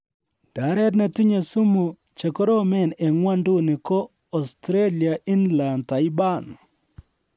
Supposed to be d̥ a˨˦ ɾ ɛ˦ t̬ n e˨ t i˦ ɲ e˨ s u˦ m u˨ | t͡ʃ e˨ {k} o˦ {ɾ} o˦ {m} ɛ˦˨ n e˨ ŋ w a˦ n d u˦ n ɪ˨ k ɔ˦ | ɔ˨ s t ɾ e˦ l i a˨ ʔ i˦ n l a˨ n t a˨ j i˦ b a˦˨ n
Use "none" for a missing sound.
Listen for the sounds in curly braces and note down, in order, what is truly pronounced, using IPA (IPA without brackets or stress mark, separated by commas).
k, ɾ, m